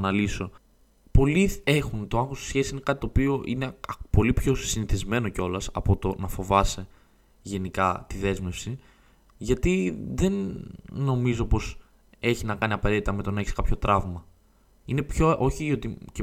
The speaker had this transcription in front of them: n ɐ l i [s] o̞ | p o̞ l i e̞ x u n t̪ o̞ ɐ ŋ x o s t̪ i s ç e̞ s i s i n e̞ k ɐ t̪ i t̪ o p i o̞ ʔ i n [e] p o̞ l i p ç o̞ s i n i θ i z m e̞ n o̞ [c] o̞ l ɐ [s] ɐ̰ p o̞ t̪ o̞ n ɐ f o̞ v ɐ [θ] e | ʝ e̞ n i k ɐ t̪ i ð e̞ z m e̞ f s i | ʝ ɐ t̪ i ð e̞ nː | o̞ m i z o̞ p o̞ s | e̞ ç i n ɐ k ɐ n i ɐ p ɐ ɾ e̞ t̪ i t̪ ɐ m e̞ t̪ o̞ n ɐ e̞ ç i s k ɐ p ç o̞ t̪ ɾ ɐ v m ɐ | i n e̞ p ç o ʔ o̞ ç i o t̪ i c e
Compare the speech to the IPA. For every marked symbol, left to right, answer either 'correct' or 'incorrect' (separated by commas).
correct, correct, correct, correct, incorrect